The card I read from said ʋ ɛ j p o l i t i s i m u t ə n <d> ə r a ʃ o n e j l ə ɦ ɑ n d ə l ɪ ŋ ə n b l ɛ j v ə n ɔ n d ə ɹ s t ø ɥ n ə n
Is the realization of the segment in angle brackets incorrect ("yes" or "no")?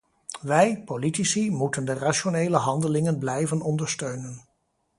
no